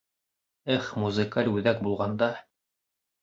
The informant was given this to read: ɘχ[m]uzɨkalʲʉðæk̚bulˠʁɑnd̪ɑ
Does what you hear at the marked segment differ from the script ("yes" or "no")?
no